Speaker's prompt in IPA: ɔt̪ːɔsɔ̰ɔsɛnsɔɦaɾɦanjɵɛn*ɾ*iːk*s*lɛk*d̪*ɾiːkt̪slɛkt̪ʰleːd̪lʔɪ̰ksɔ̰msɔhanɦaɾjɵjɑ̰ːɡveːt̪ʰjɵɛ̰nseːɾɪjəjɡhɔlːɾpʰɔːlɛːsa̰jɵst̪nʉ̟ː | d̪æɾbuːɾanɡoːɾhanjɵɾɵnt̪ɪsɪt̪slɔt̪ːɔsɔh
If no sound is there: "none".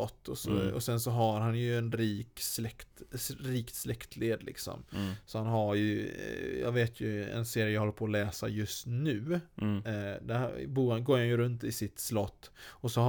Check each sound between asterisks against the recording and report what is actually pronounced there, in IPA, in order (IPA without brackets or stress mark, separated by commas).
ɾ, s, t̪